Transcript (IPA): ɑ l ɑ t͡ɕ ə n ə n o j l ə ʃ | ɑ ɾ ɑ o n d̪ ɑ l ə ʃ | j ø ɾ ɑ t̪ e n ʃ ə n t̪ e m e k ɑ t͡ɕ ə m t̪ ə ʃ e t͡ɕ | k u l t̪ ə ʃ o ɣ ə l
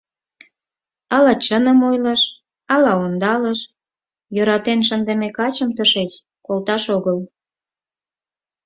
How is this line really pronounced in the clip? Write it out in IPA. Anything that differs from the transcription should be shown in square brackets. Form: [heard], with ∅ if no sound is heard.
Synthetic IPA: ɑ l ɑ t͡ɕ ə n ə [m] o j l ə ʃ | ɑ [l] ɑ o n d̪ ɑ l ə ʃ | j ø ɾ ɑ t̪ e n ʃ ə n [d̪] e m e k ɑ t͡ɕ ə m t̪ ə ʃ e t͡ɕ | k [o] l t̪ [ɑ] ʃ o ɣ ə l

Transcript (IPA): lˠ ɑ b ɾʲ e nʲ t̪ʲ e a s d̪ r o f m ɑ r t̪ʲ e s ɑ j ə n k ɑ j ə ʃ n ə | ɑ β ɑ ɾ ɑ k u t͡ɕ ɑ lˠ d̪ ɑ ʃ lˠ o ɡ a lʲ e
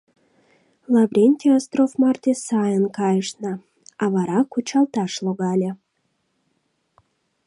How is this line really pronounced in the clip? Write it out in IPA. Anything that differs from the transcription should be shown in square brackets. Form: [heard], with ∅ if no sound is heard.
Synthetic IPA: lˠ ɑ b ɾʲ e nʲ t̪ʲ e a s [t̪] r o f m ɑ r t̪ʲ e s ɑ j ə n k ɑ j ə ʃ n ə | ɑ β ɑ ɾ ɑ k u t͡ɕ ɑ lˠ [t̪] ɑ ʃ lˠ o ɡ [ɑ] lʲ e

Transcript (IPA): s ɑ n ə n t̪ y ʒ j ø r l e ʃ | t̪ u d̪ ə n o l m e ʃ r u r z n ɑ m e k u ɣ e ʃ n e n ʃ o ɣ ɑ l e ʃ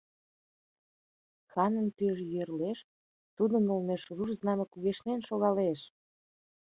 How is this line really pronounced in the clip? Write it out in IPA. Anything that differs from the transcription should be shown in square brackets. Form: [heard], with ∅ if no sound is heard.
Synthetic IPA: [x] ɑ n ə n t̪ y ʒ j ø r l e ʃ | t̪ u d̪ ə n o l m e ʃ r u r z n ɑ m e k u ɣ e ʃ n e n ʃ o ɣ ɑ l e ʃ

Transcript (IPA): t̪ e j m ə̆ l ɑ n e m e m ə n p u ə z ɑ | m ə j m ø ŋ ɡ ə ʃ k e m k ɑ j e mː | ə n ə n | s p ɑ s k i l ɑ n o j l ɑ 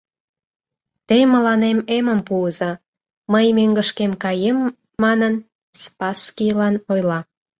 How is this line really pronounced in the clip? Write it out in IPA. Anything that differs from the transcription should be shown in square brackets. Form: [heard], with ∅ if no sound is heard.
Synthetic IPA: t̪ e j m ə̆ l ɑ n e m e m ə [m] p u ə z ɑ | m ə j m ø ŋ ɡ ə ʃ k e m k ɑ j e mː | [ɑ] n ə n | s p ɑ s k i l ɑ n o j l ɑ

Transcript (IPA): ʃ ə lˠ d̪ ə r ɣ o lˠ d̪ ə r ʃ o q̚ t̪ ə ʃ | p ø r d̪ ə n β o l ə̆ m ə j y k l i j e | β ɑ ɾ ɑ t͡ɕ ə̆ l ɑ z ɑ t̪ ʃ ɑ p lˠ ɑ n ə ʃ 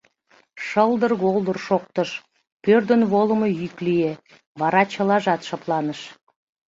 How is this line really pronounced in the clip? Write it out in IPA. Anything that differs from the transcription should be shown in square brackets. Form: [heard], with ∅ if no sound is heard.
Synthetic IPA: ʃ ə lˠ d̪ ə r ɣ o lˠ d̪ ə r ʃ o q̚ t̪ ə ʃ | p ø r d̪ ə n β o l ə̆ m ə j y k l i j e | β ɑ ɾ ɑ t͡ɕ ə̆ l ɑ [ʒ] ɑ t̪ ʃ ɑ p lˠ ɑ n ə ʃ

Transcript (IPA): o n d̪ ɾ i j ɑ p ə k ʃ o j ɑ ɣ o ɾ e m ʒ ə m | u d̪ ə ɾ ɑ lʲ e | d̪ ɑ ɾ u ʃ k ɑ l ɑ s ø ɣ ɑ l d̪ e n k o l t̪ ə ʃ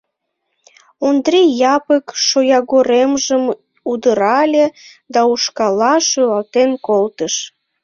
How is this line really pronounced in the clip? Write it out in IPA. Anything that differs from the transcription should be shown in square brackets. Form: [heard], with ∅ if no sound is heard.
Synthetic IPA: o n d̪ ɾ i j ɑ p ə k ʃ o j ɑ ɣ o ɾ e m ʒ ə m | u d̪ ə ɾ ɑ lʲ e | d̪ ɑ [∅] u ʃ k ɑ l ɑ [ʃ] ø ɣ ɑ l [t̪] e n k o l t̪ ə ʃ

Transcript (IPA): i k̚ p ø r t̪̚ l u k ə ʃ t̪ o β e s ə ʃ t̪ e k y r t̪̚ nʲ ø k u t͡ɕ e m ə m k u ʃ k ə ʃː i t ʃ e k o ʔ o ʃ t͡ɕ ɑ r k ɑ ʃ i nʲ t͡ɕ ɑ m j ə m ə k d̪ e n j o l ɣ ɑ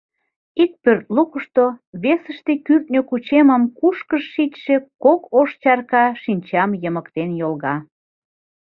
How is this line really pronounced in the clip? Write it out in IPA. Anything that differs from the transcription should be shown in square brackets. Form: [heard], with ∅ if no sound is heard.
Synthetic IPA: i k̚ p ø r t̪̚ l u k ə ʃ t̪ o β e s ə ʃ t̪ e k y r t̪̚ nʲ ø k u t͡ɕ e m ə m k u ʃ k ə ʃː i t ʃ e k o [k] o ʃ t͡ɕ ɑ r k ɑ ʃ i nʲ t͡ɕ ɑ m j ə m ə k [t̪] e n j o l ɣ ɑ

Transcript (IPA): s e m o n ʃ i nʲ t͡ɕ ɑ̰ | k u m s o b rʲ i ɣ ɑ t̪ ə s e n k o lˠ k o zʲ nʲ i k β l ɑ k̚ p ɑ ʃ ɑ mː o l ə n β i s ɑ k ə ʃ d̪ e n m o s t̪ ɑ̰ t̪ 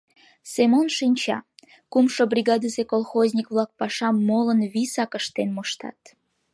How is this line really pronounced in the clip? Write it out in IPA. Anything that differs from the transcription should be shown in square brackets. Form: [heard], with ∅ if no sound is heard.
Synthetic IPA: s e m o n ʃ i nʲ t͡ɕ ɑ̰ | k u m [ʃ] o b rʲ i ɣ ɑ [d̪] ə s e [∅] k o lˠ [x] o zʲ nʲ i k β l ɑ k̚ p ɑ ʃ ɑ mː o l ə n β i s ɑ k ə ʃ [t̪] e n m o [ʃ] t̪ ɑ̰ t̪

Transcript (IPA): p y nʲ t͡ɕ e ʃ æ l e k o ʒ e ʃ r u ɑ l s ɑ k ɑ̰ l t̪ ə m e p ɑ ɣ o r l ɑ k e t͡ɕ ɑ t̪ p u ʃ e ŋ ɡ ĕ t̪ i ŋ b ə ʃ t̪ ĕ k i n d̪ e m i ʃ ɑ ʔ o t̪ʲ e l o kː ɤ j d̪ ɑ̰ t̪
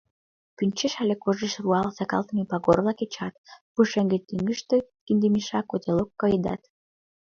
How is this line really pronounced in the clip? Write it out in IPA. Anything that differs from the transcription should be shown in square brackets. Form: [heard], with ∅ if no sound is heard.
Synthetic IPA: p y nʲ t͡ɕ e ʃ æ l e k o ʒ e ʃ r u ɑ l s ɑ k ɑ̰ l t̪ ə m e p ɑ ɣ o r l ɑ k e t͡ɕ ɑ t̪ p u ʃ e ŋ ɡ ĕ t̪ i ŋ [ɡ] ə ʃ t̪ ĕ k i n d̪ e m i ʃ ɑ [k] o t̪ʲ e l o kː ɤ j d̪ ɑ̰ t̪

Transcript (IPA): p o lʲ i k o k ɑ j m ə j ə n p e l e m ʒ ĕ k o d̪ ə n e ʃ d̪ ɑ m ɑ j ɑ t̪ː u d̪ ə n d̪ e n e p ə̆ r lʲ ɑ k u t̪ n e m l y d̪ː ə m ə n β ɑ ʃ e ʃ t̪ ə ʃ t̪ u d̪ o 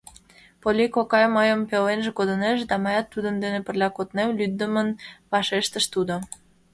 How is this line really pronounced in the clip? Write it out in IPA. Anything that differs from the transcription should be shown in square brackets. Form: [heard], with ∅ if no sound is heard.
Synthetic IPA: p o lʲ i k o k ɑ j m ə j ə [m] p e l e [n] ʒ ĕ k o d̪ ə n e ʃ d̪ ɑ m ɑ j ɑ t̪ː u d̪ ə n d̪ e n e p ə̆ r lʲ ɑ k [o] t̪ n e m l y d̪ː ə m ə n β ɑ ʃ e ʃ t̪ ə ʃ t̪ u d̪ o

